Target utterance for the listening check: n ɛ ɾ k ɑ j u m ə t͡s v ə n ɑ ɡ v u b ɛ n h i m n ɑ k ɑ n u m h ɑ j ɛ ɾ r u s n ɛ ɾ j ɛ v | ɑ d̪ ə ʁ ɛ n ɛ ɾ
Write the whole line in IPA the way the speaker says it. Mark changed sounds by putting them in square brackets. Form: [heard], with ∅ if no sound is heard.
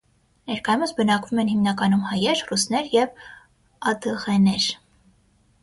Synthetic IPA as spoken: n ɛ ɾ k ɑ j u m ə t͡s [b] ə n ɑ [k] v u [m] ɛ n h i m n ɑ k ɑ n u m h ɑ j ɛ ɾ r u s n ɛ ɾ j ɛ v | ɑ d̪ ə ʁ ɛ n ɛ ɾ